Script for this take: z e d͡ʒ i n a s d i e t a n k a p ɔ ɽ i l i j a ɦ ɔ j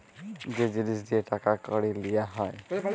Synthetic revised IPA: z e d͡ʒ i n i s d i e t a k a k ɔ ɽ i l i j a ɦ ɔ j